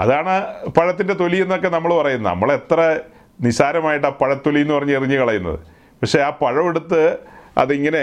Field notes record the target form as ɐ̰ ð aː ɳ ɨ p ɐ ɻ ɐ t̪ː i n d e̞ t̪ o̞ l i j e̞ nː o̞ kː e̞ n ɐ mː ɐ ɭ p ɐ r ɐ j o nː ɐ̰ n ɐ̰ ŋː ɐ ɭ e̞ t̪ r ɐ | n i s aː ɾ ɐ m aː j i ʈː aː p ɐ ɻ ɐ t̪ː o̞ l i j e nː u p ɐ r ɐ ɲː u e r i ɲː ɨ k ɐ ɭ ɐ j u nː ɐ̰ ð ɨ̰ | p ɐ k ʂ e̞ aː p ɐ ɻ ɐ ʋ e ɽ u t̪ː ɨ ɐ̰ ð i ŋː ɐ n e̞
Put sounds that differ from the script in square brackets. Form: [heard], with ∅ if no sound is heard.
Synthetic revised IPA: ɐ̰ ð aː ɳ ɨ p ɐ ɻ ɐ t̪ː i n d e̞ t̪ o̞ l i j e̞ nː o̞ kː e̞ n ɐ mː ɐ ɭ p ɐ r ɐ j [u] nː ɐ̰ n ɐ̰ [mː] ɐ ɭ e̞ t̪ r ɐ | n i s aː ɾ ɐ m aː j i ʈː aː p ɐ ɻ ɐ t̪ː o̞ l i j e nː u p ɐ r ɐ ɲː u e r i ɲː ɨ k ɐ ɭ ɐ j u nː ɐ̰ ð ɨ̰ | p ɐ k ʂ e̞ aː p ɐ ɻ ɐ ʋ e ɽ u t̪ː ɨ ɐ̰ ð i ŋː ɐ n e̞